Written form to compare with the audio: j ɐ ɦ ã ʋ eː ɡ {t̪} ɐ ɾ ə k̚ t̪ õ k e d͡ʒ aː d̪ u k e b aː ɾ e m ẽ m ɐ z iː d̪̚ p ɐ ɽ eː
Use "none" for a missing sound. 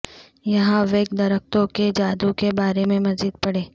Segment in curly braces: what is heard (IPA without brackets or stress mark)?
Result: d̪